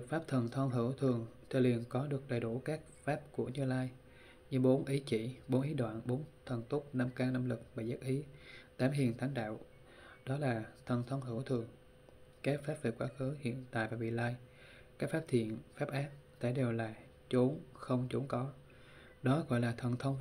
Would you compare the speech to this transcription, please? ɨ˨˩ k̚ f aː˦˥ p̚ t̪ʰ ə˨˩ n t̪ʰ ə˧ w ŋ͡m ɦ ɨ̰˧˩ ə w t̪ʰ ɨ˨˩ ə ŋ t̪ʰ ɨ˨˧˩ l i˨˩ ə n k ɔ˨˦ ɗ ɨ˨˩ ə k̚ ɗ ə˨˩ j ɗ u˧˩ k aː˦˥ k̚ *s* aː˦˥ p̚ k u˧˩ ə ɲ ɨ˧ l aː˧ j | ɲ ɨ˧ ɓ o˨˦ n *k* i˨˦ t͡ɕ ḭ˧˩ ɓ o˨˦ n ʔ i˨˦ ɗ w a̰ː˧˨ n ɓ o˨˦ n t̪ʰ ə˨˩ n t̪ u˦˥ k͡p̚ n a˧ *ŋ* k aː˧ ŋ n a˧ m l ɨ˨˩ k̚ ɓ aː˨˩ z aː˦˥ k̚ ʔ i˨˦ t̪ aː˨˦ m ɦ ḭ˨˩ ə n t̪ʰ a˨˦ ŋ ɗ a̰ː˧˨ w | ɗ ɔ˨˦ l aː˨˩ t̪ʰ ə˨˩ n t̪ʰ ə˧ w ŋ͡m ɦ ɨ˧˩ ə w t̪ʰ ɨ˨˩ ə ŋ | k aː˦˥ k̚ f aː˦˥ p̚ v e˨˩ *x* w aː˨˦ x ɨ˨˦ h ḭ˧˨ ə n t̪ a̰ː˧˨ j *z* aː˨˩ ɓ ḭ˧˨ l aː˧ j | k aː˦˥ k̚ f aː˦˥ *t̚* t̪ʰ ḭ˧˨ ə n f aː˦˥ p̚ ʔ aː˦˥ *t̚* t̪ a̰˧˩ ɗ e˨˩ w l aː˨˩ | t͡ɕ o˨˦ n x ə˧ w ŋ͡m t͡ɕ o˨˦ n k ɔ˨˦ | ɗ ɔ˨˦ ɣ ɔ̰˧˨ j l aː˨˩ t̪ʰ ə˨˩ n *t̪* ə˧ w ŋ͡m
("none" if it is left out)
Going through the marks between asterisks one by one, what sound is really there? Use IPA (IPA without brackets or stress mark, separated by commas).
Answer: f, ʔ, m, k, v, p̚, p̚, t̪ʰ